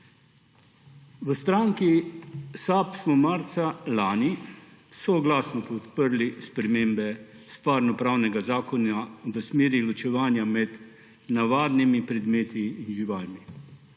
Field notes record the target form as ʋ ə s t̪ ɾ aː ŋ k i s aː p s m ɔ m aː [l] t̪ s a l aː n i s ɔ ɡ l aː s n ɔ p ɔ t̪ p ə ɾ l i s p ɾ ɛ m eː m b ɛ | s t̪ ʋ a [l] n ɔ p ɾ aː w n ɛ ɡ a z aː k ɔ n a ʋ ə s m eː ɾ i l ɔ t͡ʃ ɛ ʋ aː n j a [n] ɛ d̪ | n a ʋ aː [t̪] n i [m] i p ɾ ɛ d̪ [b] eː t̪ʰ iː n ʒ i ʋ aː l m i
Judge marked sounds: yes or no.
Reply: no, no, no, no, yes, no

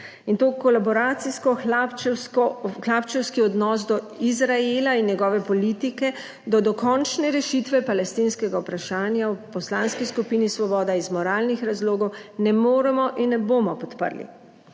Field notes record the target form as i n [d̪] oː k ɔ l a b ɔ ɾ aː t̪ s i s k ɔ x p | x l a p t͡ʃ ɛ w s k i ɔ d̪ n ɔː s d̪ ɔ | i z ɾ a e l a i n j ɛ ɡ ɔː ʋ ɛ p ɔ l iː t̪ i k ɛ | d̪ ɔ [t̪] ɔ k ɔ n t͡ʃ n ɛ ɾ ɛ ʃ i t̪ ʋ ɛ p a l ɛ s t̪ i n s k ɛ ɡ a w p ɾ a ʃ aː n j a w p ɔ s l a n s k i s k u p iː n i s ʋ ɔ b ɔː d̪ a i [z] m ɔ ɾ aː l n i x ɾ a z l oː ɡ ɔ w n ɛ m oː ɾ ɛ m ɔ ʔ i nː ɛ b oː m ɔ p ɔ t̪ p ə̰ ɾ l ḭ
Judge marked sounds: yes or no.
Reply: no, no, yes

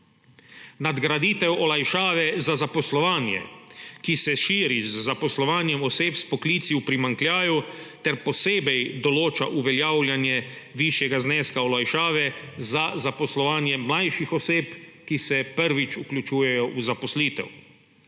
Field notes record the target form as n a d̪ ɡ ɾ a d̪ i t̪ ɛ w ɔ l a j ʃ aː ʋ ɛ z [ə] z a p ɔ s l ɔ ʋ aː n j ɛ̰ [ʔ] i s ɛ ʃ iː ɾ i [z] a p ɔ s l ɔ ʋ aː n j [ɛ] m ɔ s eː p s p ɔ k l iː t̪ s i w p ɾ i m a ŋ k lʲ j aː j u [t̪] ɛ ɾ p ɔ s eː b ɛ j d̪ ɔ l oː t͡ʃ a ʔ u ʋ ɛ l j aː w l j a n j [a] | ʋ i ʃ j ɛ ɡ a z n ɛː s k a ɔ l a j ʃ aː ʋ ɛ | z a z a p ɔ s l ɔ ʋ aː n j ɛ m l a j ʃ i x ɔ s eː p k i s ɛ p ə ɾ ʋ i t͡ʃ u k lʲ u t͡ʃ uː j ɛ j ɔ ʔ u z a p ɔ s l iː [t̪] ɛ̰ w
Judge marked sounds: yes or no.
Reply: no, no, no, yes, yes, no, yes

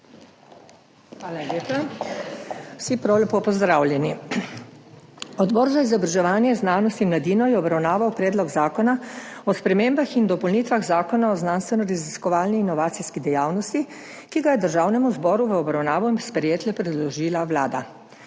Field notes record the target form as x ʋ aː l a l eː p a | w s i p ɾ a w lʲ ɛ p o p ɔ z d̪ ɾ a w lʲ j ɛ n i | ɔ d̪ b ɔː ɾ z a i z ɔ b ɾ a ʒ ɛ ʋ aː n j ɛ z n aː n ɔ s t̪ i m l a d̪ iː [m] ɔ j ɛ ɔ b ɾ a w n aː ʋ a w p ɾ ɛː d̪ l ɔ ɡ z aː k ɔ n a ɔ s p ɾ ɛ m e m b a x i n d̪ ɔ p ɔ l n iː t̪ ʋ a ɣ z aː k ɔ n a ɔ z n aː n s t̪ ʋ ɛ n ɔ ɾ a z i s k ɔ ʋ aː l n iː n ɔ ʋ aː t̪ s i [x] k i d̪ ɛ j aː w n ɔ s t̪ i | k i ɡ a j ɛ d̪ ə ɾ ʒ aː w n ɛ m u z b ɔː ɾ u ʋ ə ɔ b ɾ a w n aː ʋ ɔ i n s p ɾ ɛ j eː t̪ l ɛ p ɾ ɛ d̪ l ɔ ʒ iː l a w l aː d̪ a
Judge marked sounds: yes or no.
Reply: no, no

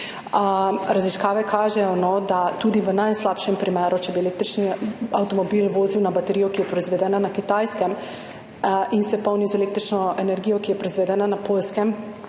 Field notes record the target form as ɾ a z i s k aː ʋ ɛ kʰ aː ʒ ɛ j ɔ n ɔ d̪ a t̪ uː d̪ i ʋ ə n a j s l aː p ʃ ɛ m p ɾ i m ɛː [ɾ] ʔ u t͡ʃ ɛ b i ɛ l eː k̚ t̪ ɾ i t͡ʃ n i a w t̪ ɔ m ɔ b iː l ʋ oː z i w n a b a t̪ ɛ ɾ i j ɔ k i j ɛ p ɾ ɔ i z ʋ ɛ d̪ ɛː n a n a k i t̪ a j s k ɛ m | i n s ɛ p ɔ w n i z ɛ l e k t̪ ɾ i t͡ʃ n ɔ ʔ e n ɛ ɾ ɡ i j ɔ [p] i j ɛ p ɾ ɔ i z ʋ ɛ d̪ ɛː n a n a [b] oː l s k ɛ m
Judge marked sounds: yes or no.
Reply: yes, no, no

